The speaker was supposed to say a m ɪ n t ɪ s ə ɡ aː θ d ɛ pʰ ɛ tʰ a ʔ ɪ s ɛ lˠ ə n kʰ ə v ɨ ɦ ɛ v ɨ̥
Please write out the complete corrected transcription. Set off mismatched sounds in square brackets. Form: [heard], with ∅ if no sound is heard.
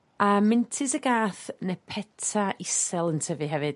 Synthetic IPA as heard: a m ɪ n [tʰ] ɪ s ə ɡ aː θ [n] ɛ pʰ ɛ tʰ a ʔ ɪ s ɛ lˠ ə n [tʰ] ə v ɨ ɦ ɛ v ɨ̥